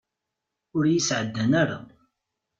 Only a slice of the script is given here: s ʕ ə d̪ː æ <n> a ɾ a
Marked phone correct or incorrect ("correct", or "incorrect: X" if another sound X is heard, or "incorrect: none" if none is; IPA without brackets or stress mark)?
correct